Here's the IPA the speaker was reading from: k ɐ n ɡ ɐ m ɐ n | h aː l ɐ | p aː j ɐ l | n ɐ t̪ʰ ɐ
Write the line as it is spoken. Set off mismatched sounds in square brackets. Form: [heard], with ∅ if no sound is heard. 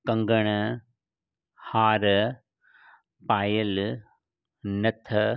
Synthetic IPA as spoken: k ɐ [ŋ] ɡ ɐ [ɳ] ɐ [∅] | h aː [ɾ] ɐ | p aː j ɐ l | n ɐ t̪ʰ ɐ